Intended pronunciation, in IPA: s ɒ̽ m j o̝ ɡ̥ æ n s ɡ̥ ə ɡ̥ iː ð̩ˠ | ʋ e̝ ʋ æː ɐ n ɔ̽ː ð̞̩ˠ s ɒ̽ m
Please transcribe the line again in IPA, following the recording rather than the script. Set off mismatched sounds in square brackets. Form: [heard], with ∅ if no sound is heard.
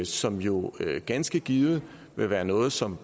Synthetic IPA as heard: s ɒ̽ m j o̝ ɡ̥ æ n s ɡ̥ ə ɡ̥ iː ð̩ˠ | ʋ e̝ ʋ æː ɐ n ɔ̽ː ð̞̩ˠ s ɒ̽ m